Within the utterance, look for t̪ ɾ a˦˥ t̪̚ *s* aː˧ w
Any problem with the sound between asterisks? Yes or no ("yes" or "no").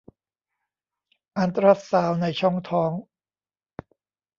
no